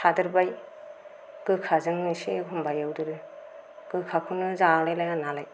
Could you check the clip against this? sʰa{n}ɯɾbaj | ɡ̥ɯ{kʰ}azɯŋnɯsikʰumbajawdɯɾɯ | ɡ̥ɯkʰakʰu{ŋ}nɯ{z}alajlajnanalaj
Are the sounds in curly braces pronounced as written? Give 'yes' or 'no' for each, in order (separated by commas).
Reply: no, yes, no, yes